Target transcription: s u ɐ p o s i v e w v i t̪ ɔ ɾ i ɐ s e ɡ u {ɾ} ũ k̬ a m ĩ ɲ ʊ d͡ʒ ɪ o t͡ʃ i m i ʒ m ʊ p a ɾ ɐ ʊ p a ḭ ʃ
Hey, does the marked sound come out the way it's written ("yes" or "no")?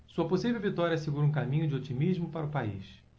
yes